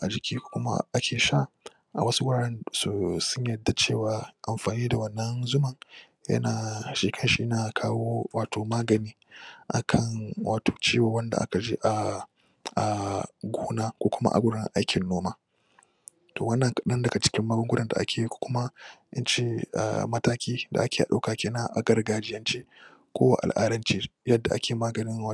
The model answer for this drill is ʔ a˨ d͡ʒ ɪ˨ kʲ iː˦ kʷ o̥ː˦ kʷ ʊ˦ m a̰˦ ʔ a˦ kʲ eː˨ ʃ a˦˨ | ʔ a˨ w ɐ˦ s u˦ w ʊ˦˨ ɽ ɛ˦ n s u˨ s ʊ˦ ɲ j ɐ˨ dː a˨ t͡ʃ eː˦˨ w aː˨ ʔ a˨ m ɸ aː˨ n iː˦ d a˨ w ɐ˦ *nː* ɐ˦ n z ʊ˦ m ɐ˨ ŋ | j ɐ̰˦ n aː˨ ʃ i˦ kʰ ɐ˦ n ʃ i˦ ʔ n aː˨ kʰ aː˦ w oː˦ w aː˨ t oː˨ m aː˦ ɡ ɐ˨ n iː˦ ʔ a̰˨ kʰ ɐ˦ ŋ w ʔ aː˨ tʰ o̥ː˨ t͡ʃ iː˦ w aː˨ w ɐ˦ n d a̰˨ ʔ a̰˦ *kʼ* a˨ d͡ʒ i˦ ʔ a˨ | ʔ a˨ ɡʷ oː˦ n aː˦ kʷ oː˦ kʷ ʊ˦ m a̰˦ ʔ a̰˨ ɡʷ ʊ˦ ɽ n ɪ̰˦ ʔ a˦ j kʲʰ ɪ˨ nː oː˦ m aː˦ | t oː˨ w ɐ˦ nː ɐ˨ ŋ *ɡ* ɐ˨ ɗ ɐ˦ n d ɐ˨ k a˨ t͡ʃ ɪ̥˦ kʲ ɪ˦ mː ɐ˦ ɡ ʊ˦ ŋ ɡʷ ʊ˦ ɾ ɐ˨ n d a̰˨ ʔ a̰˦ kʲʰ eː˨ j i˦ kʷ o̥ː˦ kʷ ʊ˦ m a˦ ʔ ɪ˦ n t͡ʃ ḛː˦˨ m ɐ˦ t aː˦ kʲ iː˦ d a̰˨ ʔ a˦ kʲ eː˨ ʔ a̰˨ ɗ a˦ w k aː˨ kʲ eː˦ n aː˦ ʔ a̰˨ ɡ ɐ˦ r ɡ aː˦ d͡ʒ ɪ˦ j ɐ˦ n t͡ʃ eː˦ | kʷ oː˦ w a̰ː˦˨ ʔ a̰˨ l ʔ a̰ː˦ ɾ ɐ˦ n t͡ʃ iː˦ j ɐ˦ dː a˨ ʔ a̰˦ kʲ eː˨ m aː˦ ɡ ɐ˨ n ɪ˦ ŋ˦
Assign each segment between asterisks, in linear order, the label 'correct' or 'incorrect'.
correct, incorrect: k, incorrect: k

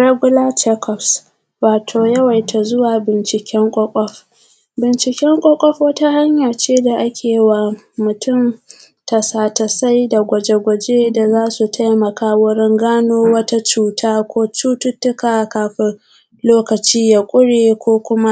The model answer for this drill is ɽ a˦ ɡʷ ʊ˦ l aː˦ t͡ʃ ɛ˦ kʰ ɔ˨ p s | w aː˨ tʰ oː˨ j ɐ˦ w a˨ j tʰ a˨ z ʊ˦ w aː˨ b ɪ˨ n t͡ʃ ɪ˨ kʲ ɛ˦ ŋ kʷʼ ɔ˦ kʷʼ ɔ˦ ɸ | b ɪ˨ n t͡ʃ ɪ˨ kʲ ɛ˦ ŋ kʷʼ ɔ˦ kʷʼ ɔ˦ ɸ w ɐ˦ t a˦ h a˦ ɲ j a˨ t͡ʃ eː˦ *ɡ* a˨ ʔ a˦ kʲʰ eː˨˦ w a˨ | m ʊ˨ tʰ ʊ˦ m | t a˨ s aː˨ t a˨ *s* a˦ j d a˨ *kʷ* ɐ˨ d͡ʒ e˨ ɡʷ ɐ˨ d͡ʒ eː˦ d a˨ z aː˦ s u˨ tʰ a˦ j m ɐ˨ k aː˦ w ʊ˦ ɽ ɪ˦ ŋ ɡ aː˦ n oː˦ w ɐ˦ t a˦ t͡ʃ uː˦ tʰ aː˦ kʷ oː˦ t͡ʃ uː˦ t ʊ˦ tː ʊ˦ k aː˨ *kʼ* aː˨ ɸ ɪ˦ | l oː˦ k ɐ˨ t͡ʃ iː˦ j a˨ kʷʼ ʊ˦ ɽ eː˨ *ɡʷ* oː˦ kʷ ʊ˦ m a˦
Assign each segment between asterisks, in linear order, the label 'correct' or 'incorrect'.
incorrect: d, correct, incorrect: ɡʷ, incorrect: k, incorrect: kʷ

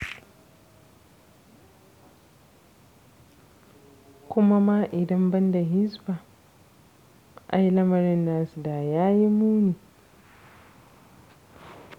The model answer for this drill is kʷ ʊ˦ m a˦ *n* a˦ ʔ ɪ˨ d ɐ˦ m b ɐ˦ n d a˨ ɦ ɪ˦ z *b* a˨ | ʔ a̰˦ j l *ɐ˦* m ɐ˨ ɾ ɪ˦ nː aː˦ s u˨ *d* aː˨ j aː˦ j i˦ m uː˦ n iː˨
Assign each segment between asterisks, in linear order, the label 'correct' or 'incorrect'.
incorrect: m, correct, correct, correct

